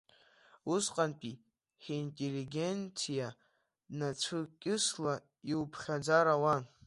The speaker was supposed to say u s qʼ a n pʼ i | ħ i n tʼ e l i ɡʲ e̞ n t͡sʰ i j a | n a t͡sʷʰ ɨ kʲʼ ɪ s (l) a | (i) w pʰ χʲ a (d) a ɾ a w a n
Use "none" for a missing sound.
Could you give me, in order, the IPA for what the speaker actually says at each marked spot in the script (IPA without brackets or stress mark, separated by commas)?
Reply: l, i, d͡z